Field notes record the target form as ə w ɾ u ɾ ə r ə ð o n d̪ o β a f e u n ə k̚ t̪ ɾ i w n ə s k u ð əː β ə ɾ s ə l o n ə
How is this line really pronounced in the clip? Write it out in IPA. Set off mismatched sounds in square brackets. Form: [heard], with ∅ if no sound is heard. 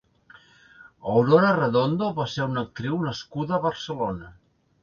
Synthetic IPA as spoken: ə w ɾ [o] ɾ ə r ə ð o n d̪ o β a [s] e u n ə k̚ t̪ ɾ i w n ə s k u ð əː β ə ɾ s ə l o n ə